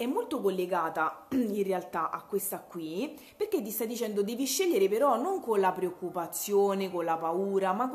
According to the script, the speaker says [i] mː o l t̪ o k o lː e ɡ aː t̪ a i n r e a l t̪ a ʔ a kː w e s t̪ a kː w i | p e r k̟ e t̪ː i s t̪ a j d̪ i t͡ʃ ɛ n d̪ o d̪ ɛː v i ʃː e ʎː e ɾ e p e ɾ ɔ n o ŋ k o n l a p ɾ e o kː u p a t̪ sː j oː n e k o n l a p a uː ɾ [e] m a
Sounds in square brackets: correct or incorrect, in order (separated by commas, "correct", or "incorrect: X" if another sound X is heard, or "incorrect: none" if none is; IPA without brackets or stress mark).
incorrect: ɛ, incorrect: a